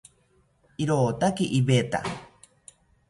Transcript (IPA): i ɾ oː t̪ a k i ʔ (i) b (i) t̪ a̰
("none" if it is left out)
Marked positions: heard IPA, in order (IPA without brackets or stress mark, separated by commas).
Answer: i, e